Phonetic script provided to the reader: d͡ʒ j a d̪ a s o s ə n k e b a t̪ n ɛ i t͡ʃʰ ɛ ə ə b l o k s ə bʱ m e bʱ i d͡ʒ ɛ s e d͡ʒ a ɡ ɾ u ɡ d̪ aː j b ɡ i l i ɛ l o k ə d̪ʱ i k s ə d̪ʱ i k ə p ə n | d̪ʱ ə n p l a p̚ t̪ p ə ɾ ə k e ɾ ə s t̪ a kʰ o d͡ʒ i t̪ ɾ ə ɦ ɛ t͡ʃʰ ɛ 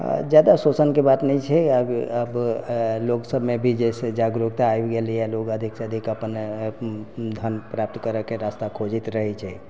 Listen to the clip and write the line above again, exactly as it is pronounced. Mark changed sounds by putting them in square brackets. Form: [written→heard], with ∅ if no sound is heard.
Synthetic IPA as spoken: d͡ʒ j a d̪ a s o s ə n k e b a t̪ n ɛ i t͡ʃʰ ɛ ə ə b l o k s ə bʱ m e bʱ i d͡ʒ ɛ s e d͡ʒ a ɡ ɾ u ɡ [d̪→t̪] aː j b ɡ [i→e] l i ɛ l o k ə d̪ʱ i k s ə d̪ʱ i k ə p ə n | d̪ʱ ə n p [l→ɾ] a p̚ t̪ [p→k] ə ɾ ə k e ɾ [ə→a] s t̪ a kʰ o d͡ʒ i t̪ ɾ ə ɦ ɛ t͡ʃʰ ɛ